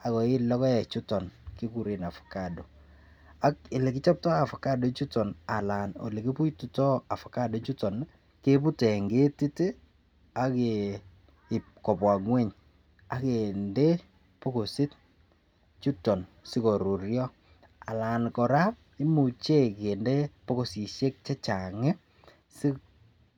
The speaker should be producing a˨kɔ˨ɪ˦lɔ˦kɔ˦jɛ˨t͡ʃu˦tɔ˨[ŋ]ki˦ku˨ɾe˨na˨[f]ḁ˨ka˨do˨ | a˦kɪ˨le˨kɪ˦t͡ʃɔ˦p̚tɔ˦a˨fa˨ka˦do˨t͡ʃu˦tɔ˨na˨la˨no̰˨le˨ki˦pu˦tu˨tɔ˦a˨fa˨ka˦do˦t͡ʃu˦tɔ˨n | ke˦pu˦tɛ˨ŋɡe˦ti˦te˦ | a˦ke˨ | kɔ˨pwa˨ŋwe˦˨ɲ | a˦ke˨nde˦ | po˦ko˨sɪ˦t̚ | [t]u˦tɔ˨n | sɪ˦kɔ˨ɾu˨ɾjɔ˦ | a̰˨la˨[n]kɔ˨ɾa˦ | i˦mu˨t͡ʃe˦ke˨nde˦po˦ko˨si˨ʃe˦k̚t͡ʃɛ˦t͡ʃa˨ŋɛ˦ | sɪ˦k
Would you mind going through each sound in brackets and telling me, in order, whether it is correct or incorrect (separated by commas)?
incorrect, correct, incorrect, correct